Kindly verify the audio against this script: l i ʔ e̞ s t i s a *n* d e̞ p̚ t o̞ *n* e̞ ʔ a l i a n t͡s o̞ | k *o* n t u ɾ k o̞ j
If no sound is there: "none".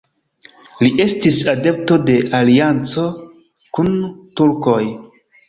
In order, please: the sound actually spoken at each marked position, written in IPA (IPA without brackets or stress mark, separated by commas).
none, d, u